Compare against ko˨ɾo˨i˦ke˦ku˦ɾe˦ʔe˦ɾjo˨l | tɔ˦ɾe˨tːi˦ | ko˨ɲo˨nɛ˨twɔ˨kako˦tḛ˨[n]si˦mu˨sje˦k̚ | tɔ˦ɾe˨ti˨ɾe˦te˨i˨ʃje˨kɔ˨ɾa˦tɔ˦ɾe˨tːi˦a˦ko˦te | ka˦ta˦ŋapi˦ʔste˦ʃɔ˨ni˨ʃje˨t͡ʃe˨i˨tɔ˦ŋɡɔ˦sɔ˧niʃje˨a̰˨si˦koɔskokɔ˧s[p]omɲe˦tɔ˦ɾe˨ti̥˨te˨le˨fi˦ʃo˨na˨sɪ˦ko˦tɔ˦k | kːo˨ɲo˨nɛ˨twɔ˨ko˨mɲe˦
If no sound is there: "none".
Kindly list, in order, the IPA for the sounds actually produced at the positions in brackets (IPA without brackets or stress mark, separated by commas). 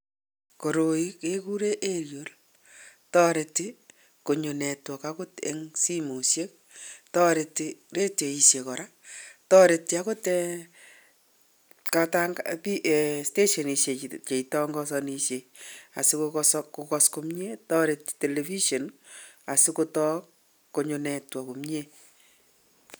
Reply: ŋ, k